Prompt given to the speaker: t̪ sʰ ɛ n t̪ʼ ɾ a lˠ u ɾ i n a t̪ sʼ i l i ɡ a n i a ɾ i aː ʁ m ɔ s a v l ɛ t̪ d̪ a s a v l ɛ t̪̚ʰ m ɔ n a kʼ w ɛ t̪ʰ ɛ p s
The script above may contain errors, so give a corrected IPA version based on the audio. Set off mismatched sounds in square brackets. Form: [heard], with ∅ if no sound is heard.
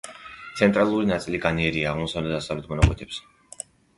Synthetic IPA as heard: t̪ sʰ ɛ n t̪ʼ ɾ a lˠ u ɾ i n a t̪ sʼ i l i ɡ a n i [ɛ] ɾ i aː ʁ m ɔ s a v l ɛ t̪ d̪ a s a v l ɛ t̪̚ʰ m ɔ n a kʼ w ɛ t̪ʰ ɛ p s

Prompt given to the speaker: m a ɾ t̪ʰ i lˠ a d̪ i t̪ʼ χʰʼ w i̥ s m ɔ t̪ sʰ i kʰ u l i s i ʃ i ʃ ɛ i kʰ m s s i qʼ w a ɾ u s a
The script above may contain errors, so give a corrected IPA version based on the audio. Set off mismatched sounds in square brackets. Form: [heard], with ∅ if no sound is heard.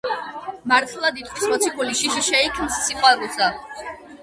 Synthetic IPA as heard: m a ɾ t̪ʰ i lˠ a d̪ i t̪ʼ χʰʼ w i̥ s m ɔ t̪ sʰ i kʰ u l i [ʃ] i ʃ i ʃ ɛ i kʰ m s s i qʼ w a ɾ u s a

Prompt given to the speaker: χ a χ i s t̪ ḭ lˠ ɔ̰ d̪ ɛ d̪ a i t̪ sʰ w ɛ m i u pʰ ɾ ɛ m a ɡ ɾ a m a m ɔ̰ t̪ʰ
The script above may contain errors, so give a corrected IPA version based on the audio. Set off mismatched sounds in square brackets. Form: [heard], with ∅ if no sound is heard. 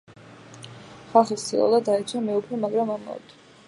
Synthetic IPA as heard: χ a χ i s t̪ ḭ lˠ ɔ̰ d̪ [a] d̪ a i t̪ sʰ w [a] m [ɛ] u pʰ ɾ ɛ m a ɡ ɾ a m a m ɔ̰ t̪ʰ

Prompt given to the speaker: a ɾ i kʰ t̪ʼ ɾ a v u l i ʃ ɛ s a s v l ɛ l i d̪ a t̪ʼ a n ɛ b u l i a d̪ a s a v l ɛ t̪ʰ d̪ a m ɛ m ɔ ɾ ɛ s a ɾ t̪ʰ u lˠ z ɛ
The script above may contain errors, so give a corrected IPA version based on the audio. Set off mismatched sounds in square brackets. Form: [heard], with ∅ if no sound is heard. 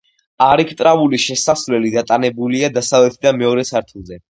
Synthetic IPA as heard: a ɾ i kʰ t̪ʼ ɾ a v u l i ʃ ɛ s a s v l ɛ l i d̪ a t̪ʼ a n ɛ b u l i a d̪ a s a v l ɛ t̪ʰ d̪ a m ɛ [∅] ɔ ɾ ɛ s a ɾ t̪ʰ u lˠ z ɛ

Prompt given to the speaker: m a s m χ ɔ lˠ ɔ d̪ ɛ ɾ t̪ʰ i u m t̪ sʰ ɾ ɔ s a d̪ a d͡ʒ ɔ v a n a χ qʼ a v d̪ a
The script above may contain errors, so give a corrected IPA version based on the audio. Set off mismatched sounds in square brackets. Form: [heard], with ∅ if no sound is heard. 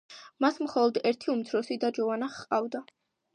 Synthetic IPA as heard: m a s m χ ɔ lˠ ɔ d̪ ɛ ɾ t̪ʰ i u m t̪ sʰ ɾ ɔ s [i] d̪ a d͡ʒ ɔ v a n a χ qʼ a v d̪ a

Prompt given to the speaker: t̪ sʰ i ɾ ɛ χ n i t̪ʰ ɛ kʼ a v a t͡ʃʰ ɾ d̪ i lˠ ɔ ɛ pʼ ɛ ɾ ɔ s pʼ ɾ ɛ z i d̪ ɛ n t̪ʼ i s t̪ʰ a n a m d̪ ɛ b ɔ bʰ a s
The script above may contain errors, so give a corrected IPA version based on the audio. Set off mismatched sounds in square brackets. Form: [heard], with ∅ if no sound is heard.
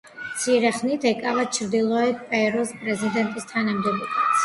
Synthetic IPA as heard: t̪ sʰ i ɾ ɛ χ n i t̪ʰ ɛ kʼ a v a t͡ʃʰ ɾ d̪ i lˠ ɔ ɛ pʼ ɛ ɾ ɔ s pʼ ɾ ɛ z i d̪ ɛ n t̪ʼ i s t̪ʰ a n a m d̪ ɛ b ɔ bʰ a s

